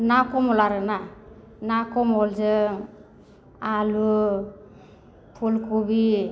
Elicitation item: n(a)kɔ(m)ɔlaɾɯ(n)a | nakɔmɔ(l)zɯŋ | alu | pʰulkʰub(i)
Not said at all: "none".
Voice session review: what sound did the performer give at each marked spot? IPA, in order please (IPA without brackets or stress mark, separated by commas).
a, m, n, l, i